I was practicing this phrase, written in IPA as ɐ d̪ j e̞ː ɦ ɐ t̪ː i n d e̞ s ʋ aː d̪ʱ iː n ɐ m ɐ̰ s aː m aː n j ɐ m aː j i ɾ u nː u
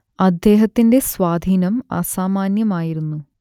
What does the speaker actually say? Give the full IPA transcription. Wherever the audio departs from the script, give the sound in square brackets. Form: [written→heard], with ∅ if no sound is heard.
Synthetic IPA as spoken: ɐ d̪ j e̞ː ɦ ɐ t̪ː i n d e̞ s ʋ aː d̪ʱ iː n ɐ m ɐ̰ s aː m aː n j ɐ m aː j i ɾ u nː u